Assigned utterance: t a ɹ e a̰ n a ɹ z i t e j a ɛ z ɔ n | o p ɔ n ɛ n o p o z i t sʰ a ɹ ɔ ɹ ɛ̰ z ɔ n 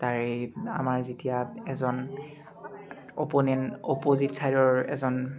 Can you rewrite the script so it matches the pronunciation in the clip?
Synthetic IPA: t a ɹ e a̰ m a ɹ z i t i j a ɛ z ɔ n | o p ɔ n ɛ n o p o z i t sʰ a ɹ ɔ ɹ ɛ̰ z ɔ n